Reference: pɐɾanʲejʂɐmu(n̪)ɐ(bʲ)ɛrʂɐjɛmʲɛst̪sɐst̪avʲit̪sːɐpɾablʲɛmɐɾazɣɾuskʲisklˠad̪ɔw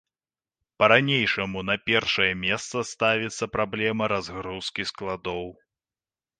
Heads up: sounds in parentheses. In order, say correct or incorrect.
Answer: correct, incorrect: pʲ

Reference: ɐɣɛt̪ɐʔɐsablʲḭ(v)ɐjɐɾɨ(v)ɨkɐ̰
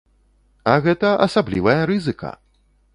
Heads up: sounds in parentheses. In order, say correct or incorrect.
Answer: correct, incorrect: z

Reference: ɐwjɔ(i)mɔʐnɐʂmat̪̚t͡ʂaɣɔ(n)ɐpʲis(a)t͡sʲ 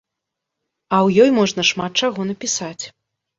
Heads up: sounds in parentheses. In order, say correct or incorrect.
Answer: incorrect: j, correct, correct

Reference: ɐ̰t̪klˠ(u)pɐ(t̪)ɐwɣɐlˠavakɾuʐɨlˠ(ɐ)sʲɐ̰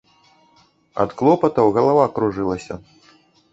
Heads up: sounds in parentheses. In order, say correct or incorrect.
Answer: incorrect: ɔ, correct, correct

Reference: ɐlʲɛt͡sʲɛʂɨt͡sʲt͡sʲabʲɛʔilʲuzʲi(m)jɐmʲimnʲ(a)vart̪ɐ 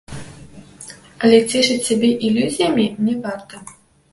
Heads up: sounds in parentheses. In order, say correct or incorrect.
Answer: incorrect: none, incorrect: ɛ

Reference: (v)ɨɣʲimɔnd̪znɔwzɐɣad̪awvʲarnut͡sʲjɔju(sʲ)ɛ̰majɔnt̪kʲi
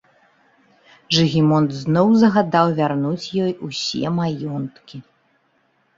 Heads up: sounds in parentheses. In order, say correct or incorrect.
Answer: incorrect: ʐ, correct

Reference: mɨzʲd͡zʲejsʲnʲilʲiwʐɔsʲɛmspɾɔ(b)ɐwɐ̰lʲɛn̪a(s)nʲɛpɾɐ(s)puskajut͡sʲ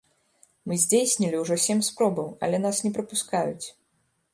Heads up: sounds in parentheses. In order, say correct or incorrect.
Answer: correct, correct, incorrect: none

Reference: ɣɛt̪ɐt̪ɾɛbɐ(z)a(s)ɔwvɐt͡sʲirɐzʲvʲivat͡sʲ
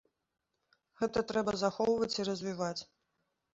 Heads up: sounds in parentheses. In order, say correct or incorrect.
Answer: correct, incorrect: x

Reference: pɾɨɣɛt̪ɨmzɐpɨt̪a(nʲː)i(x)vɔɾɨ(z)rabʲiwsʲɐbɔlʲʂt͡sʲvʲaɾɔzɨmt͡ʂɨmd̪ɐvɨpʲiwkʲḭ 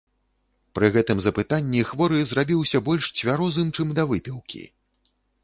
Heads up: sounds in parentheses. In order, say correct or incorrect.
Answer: correct, correct, correct

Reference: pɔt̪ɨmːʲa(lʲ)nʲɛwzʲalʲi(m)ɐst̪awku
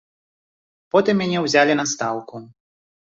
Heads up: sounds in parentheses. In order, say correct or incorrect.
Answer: incorrect: none, incorrect: n

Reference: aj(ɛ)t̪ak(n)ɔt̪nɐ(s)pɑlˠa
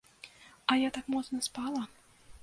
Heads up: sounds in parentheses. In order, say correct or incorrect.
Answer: incorrect: a, incorrect: m, correct

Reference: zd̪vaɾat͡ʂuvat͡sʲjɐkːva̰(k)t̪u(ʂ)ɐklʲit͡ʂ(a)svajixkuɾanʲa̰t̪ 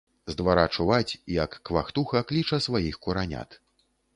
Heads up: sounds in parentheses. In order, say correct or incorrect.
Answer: incorrect: x, incorrect: x, incorrect: ɐ

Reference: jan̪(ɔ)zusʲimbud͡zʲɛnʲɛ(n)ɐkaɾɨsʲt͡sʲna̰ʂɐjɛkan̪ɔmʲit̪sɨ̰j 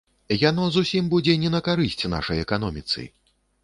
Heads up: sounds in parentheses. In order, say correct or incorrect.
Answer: correct, correct

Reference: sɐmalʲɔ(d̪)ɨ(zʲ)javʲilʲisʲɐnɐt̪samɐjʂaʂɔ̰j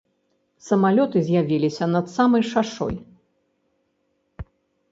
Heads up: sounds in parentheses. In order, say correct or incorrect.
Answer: incorrect: t̪, correct

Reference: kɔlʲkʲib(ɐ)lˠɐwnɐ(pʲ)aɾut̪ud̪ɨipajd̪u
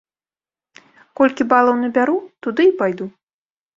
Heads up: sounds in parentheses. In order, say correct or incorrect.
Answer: incorrect: a, incorrect: bʲ

